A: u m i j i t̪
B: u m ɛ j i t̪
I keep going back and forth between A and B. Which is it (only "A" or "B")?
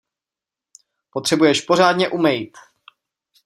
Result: B